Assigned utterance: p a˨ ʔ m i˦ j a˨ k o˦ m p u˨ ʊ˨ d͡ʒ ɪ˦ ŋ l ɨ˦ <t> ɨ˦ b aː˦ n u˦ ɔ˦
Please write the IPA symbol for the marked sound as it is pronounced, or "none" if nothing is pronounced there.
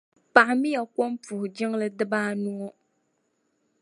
d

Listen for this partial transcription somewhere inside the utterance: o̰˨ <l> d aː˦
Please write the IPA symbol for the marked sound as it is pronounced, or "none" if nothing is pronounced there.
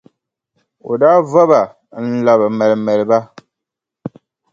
none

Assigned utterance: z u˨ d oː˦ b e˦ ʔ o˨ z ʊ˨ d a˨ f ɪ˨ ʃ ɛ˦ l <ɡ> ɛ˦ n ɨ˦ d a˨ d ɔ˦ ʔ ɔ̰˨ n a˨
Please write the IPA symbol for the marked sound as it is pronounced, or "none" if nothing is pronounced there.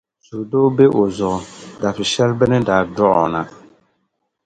b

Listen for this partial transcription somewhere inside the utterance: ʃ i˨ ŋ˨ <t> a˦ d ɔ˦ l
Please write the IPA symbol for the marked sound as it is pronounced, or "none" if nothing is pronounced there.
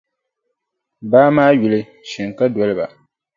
k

